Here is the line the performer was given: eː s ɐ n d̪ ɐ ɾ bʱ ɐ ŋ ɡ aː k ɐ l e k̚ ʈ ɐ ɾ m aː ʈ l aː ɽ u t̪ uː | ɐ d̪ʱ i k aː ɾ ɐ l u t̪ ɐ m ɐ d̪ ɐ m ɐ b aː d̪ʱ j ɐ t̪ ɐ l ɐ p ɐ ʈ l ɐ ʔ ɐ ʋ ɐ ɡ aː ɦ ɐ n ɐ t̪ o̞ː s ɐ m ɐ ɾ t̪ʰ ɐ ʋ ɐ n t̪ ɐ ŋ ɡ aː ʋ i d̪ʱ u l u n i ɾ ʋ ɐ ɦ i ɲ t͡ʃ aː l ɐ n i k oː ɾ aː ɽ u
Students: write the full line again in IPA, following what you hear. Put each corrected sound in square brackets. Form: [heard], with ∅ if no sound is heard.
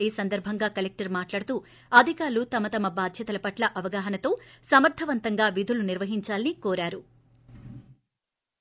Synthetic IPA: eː s ɐ n d̪ ɐ ɾ bʱ ɐ ŋ ɡ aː k ɐ l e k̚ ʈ ɐ ɾ m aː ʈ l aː ɽ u t̪ uː | ɐ d̪ʱ i k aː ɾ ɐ l u t̪ ɐ m ɐ [t̪] ɐ m ɐ b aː d̪ʱ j ɐ t̪ ɐ l ɐ p ɐ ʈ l ɐ ʔ ɐ ʋ ɐ ɡ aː ɦ ɐ n ɐ t̪ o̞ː s ɐ m ɐ ɾ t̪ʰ ɐ ʋ ɐ n t̪ ɐ ŋ ɡ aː ʋ i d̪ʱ u l u n i ɾ ʋ ɐ ɦ i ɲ t͡ʃ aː l ɐ n i k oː ɾ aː [ɾ] u